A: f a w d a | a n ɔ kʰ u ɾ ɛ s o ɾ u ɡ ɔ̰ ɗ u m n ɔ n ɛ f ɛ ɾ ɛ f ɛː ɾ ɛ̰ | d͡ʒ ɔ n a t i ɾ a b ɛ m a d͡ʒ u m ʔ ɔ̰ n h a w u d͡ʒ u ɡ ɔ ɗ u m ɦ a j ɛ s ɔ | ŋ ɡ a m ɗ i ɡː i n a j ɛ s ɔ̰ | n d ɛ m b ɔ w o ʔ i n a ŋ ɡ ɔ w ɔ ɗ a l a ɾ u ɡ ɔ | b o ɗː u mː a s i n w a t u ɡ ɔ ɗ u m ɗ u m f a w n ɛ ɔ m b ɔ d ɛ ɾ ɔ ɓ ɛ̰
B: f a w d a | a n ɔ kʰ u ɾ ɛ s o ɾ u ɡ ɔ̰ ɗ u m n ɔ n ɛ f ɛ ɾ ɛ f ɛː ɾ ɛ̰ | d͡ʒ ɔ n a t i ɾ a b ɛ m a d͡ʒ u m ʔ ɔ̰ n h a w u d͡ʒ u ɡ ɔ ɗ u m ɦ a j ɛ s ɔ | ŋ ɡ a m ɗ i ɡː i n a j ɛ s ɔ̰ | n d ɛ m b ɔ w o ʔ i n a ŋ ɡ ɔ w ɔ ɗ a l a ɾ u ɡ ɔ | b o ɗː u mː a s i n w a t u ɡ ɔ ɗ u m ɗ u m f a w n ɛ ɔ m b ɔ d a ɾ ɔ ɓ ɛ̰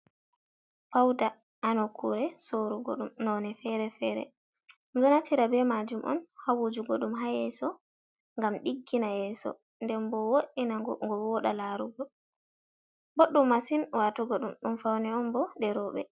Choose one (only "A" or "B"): A